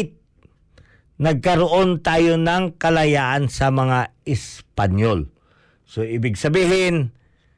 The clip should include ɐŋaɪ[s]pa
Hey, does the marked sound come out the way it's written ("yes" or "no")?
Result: yes